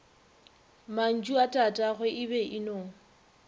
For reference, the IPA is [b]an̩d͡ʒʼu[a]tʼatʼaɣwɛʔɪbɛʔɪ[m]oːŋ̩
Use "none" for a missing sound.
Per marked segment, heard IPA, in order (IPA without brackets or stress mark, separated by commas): m, a, n